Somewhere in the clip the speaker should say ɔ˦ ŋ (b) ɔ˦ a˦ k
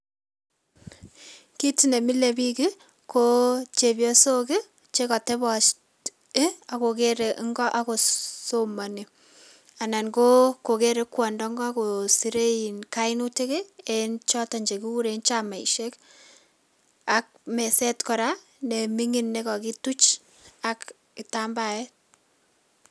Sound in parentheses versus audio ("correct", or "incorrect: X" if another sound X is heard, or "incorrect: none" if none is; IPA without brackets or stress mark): incorrect: ɡ